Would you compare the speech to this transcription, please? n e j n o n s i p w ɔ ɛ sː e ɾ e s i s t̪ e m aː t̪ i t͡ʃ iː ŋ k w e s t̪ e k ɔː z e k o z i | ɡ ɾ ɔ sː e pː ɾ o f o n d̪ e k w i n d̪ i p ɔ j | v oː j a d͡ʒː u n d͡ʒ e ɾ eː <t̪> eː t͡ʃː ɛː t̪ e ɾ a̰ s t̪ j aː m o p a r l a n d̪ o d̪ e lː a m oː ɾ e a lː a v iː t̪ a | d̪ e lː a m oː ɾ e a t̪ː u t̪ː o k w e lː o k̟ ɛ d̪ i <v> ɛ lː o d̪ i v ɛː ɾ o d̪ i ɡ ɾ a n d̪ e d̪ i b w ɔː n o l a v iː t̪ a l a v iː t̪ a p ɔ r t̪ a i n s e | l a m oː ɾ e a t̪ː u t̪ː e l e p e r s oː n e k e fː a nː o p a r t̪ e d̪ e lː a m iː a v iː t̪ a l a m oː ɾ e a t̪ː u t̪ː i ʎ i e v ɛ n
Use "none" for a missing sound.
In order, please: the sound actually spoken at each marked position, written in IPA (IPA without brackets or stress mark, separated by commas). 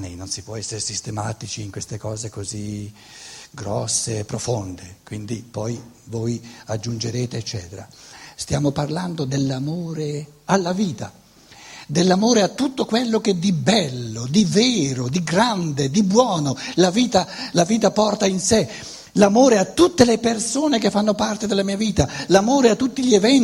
t̪, b